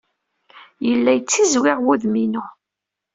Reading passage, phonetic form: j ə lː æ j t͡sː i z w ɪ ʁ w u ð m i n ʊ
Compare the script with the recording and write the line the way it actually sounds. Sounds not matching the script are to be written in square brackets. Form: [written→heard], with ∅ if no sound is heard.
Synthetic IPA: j ə lː æ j t͡sː i z w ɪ ʁ w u ð m i n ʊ